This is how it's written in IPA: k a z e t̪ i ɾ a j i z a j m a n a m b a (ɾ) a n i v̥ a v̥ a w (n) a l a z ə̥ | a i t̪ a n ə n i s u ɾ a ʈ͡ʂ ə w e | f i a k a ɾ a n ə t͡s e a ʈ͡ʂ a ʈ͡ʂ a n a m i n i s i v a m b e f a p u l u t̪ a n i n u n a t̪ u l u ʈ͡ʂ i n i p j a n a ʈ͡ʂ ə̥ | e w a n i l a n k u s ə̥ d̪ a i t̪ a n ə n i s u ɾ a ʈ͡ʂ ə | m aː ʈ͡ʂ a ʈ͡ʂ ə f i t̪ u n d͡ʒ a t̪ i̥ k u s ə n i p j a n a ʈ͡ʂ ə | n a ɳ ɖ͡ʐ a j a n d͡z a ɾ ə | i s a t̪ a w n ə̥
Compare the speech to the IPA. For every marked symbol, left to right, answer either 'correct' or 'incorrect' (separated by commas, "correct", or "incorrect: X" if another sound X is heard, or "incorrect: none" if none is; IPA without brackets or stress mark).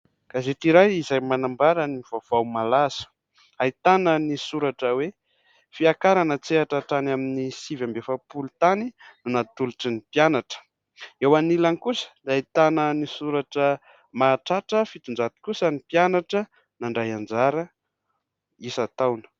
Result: correct, incorrect: m